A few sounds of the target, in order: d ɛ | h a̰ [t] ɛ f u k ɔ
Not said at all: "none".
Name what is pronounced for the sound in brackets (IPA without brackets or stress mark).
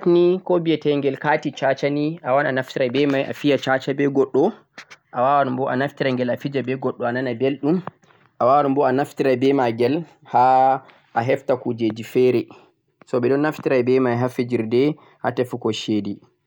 t